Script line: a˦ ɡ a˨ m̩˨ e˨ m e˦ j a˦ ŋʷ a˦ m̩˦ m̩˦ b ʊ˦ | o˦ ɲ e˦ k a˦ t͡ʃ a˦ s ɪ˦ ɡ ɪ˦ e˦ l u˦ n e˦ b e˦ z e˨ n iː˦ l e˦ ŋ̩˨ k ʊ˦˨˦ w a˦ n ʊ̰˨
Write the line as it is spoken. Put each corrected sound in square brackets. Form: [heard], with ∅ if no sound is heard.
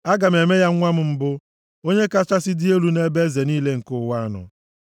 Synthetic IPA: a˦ ɡ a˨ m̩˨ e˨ m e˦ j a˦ ŋʷ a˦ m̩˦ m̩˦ b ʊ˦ | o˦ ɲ e˦ k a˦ t͡ʃ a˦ s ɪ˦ [d] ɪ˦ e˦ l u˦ n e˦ b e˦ z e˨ n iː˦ l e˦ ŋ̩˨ k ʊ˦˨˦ w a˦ n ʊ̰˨